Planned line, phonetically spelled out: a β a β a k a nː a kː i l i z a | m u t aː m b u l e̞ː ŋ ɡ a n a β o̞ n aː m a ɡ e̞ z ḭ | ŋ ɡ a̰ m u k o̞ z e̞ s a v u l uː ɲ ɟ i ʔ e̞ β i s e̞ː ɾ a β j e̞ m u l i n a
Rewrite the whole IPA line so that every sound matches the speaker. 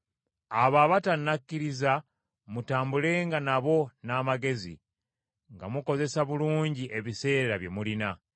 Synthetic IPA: a β a β a t a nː a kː i ɾ i z a | m u t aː m b u l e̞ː ŋ ɡ a n a β o̞ n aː m a ɡ e̞ z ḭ | ŋ ɡ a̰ m u k o̞ z e̞ s a β u l uː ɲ ɟ i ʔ e̞ β i s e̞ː ɾ a β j e̞ m u l i n a